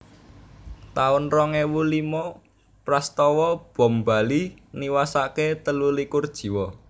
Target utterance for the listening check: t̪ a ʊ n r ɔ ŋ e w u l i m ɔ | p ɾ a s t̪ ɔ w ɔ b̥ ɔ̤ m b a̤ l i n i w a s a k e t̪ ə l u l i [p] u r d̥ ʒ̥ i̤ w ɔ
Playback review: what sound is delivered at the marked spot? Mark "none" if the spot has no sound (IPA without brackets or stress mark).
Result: k